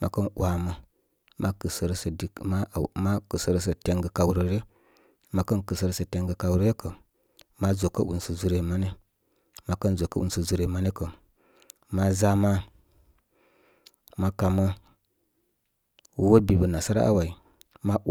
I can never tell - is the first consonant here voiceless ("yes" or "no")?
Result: no